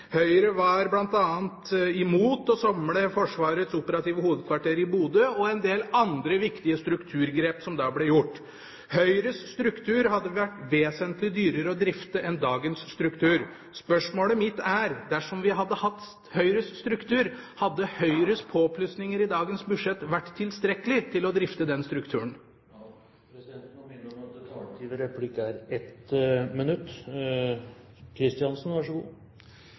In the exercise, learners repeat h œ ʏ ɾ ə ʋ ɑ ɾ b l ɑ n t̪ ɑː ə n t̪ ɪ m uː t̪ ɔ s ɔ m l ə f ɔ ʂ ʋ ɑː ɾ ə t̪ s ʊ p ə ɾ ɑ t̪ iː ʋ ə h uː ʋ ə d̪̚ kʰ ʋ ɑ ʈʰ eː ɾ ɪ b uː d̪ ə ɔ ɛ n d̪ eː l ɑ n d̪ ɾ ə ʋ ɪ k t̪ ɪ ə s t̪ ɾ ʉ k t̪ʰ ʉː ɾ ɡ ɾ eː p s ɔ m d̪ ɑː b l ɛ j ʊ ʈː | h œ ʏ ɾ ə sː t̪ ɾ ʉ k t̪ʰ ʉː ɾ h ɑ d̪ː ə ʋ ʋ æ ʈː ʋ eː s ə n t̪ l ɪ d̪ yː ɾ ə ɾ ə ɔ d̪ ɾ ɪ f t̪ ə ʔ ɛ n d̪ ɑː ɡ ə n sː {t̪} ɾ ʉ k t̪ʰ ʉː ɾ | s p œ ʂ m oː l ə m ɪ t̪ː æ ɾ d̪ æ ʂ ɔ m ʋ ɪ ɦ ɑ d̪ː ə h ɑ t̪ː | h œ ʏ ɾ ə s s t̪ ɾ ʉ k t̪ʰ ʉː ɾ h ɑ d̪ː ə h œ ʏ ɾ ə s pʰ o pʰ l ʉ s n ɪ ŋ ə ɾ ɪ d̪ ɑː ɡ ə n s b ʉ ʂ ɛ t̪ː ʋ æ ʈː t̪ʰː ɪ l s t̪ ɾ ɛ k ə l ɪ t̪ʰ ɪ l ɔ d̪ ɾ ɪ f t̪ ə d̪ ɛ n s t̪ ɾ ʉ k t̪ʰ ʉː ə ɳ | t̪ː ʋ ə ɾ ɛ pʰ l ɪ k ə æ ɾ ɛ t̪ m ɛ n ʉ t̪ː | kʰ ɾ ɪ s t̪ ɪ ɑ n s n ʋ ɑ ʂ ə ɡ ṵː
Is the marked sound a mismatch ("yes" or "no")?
no